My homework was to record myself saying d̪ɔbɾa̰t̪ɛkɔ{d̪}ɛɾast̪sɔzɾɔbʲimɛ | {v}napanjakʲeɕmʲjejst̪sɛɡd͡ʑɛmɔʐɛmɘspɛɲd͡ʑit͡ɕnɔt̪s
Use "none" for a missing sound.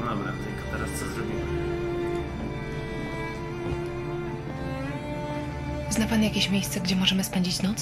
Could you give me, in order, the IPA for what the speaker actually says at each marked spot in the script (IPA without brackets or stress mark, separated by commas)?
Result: t̪, z